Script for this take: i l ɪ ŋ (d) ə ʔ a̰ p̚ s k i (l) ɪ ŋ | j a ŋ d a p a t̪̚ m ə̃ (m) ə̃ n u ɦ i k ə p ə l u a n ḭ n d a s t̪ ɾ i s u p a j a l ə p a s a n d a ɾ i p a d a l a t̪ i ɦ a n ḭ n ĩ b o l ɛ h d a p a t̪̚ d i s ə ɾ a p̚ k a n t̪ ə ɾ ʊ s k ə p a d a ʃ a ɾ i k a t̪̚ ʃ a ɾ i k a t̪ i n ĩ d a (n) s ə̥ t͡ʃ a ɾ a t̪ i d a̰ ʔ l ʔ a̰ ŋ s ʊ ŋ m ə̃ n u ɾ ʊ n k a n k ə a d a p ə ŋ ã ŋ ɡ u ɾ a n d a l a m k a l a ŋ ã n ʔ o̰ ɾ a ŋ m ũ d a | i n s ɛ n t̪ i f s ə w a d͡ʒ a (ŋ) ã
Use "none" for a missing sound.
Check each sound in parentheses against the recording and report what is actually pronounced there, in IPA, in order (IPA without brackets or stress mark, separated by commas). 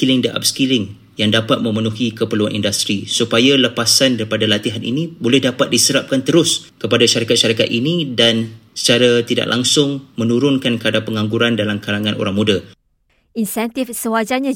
d, l, m, n, ɲ